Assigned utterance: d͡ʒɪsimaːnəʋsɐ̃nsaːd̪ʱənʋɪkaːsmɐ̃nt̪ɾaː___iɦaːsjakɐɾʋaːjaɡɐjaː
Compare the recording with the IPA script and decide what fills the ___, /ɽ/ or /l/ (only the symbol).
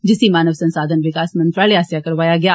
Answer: l